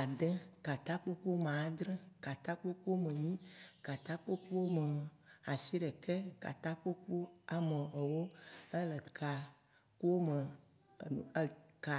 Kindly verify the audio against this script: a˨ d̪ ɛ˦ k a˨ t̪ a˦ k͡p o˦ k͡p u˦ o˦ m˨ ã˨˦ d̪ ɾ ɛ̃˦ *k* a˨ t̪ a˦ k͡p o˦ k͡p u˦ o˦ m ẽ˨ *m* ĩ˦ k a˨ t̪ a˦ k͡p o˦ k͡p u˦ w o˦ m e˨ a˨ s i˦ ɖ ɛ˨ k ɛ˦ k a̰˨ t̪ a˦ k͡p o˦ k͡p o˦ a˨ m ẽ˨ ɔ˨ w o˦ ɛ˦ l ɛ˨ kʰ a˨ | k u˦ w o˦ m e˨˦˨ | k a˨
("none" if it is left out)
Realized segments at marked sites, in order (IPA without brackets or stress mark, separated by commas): k, ɲ